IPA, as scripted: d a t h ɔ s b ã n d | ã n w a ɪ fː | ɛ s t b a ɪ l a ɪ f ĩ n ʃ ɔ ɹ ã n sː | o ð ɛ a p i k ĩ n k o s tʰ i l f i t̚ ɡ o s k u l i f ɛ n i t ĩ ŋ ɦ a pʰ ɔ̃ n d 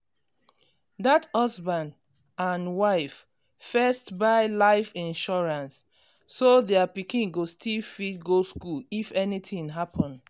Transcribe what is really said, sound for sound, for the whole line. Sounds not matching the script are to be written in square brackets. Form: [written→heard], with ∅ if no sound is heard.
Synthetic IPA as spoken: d a t h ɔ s b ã n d | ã n w a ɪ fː | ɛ s t b a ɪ l a ɪ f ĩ n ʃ ɔ ɹ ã n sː | o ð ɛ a p i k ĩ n [k→ɡ] o s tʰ i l f i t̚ ɡ o s k u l i f ɛ n i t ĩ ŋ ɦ a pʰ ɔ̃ n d